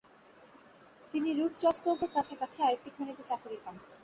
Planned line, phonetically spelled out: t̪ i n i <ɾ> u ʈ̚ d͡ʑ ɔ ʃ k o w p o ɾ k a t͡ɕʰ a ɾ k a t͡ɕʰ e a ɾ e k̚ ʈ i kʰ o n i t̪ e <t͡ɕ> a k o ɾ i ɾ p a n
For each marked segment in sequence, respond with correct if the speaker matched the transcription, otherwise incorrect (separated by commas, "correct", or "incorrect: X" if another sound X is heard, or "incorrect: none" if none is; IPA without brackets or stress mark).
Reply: correct, correct